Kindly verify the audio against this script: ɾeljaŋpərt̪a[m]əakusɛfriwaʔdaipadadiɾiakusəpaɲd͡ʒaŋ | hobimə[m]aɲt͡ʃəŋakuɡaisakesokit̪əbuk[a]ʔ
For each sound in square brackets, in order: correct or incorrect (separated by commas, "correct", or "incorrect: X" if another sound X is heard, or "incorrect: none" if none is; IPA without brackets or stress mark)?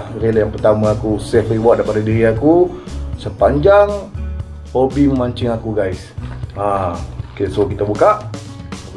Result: correct, correct, correct